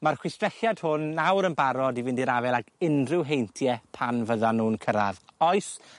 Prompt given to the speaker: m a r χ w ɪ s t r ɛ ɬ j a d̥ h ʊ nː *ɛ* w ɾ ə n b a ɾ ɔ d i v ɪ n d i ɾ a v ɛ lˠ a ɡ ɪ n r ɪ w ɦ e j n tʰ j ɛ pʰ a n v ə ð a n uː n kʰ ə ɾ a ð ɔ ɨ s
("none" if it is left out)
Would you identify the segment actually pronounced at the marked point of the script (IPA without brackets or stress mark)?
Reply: a